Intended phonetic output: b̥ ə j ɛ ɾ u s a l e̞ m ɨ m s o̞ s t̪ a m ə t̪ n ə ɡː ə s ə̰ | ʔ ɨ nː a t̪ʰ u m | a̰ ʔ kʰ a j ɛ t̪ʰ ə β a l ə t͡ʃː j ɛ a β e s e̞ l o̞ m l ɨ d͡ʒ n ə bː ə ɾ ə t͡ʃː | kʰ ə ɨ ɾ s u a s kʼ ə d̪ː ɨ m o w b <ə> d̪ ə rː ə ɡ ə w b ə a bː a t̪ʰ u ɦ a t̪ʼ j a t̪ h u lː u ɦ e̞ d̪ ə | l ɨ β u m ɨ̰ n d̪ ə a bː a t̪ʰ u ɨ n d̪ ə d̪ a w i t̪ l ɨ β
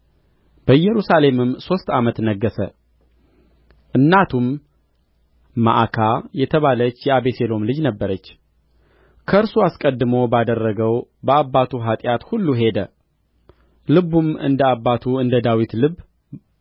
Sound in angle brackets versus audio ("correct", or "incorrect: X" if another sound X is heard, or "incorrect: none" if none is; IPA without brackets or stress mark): incorrect: a